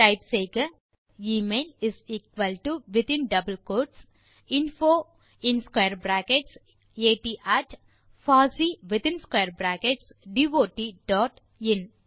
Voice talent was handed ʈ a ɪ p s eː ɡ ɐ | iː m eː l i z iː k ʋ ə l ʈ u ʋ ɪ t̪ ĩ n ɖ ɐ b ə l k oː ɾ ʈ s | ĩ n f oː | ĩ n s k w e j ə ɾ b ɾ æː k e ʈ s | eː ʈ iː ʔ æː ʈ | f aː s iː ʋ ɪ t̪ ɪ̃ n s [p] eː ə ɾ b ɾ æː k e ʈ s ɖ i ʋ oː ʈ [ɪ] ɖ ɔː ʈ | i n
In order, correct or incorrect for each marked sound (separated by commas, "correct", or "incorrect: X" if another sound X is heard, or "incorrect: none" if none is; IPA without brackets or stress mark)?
incorrect: k, incorrect: i